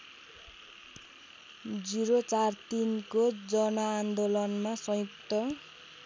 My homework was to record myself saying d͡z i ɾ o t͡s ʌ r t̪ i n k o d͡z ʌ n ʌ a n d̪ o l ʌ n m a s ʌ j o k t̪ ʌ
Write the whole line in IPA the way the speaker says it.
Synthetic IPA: d͡z i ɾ o t͡s a r t̪ i n k o d͡z ʌ n ʌ a n d̪ o l ʌ n m a s ʌ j u k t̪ ʌ